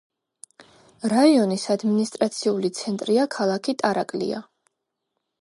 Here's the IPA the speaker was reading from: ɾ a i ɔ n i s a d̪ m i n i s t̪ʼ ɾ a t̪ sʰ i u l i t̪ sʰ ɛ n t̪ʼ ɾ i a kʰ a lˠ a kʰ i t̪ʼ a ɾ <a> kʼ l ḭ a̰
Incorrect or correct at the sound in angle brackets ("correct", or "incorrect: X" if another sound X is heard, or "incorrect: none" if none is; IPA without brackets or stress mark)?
correct